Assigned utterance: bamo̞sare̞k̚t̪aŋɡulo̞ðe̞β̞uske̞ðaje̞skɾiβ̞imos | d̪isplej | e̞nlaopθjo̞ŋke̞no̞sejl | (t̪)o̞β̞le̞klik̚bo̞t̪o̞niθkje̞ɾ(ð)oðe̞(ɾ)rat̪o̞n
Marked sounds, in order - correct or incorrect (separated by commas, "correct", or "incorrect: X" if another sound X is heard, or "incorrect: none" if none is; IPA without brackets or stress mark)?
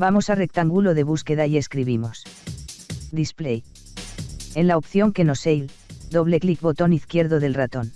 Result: incorrect: d̪, correct, incorrect: l